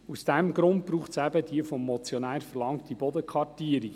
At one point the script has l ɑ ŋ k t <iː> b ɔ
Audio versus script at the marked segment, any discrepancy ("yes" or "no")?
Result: yes